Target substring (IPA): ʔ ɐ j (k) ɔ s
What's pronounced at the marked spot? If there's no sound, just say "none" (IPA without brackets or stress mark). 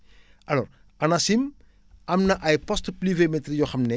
p